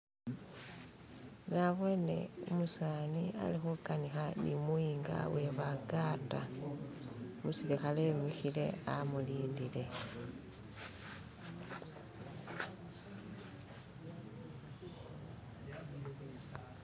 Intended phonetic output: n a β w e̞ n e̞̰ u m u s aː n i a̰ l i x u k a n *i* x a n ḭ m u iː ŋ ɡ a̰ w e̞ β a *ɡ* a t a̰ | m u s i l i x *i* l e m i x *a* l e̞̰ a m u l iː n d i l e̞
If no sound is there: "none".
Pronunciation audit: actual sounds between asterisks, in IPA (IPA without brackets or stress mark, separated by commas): i, ɡ, a, i